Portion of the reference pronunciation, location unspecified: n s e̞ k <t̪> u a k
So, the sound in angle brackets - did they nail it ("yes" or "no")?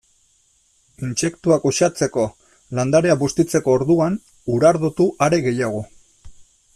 yes